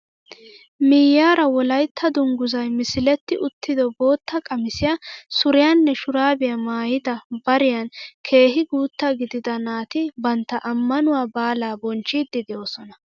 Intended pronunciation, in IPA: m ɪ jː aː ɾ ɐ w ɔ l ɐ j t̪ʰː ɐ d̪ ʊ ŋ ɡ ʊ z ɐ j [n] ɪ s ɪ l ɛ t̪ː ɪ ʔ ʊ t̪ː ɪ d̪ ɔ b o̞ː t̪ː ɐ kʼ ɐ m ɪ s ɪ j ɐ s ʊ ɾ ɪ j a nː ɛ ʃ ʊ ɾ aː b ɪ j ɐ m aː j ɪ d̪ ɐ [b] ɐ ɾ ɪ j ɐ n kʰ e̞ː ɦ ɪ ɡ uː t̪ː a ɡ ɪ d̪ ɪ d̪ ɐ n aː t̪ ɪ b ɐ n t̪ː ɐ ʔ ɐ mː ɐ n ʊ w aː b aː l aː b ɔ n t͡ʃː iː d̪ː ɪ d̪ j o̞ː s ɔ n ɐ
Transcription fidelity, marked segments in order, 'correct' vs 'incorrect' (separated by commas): incorrect, correct